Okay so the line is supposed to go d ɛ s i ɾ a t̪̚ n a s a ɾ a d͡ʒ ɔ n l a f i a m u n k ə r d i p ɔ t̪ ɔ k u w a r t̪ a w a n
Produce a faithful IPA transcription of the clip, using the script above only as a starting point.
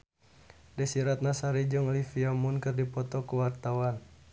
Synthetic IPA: d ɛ s i ɾ a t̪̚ n a s a ɾ i d͡ʒ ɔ ŋ l i f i a m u n k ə r d i p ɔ t̪ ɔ k u w a r t̪ a w a n